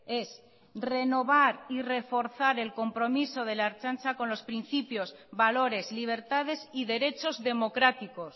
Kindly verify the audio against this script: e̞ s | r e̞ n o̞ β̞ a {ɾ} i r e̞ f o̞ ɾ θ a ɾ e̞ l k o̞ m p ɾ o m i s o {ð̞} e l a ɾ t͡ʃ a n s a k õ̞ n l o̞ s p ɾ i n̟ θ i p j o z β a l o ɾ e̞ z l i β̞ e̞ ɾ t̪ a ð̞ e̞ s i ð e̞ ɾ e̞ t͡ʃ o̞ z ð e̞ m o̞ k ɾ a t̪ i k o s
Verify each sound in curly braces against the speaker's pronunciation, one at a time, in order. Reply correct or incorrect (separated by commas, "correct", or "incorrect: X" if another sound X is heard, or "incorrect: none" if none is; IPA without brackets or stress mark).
correct, correct